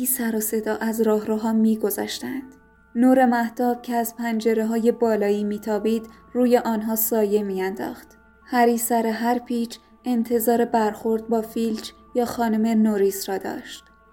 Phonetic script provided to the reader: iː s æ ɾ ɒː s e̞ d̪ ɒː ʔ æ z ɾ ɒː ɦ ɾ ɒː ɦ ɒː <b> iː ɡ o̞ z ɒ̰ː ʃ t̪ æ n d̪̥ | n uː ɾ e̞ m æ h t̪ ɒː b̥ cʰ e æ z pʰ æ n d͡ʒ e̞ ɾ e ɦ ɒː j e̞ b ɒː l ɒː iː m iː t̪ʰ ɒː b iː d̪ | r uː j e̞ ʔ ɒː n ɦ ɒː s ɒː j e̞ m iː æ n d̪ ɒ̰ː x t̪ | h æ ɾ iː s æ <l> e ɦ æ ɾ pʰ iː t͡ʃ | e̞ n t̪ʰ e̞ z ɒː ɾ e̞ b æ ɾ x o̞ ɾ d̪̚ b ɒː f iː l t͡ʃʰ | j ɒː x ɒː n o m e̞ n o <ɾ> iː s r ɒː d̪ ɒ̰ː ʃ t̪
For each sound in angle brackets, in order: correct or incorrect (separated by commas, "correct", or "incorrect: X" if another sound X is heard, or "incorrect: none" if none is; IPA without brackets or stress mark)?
incorrect: m, incorrect: ɾ, correct